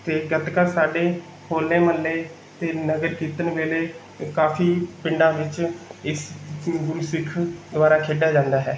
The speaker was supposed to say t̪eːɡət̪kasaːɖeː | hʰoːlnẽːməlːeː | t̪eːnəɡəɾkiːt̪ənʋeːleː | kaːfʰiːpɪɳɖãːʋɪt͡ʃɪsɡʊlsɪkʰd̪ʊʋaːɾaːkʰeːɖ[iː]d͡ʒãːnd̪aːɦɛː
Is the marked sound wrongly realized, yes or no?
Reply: yes